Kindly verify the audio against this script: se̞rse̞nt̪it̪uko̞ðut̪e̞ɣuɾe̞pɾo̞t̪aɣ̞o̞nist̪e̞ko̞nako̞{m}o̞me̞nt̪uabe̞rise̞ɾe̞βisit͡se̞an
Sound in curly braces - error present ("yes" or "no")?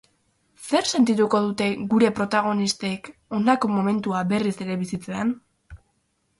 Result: no